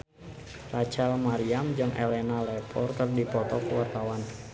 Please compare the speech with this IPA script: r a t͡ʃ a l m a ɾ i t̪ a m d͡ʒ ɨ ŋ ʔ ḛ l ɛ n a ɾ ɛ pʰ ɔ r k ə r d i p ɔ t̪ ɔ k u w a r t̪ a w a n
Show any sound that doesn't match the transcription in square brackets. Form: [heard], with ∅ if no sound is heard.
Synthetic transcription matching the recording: r a t͡ʃ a l m a ɾ i [∅] a m d͡ʒ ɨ ŋ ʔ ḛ l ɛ n a [l] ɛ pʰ ɔ r k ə r d i p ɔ t̪ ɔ k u w a r t̪ a w a n